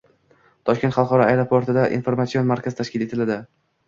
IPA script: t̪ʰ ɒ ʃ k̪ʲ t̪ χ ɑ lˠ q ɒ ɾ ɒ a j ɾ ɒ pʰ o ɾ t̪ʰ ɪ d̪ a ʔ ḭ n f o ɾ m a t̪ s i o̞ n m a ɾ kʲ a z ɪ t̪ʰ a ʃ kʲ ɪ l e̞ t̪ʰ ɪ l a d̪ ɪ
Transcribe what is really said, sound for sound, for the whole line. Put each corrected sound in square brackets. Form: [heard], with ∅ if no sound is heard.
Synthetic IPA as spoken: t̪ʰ ɒ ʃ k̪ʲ t̪ χ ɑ lˠ q ɒ ɾ ɒ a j ɾ [o] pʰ o ɾ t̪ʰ ɪ d̪ a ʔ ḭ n f o ɾ m a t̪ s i o̞ n m a ɾ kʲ a z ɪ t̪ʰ a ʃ kʲ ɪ l e̞ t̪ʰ ɪ l a d̪ ɪ